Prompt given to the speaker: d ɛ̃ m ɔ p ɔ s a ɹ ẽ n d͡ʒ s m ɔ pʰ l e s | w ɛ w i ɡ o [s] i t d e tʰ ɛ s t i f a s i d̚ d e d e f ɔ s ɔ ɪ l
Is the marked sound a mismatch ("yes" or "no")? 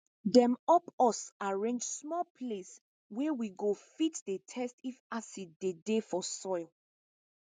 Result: yes